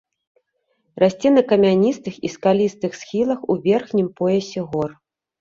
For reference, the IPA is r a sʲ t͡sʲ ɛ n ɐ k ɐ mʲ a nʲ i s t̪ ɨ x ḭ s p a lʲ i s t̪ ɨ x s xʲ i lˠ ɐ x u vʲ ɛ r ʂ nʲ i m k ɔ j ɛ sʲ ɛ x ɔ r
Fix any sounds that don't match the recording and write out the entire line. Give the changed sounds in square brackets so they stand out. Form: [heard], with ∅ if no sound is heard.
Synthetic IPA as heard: r a sʲ t͡sʲ ɛ n ɐ k ɐ mʲ a nʲ i s t̪ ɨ x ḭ s [k] a lʲ i s t̪ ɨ x s xʲ i lˠ ɐ x u vʲ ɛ r [x] nʲ i m [p] ɔ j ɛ sʲ ɛ [ɣ] ɔ r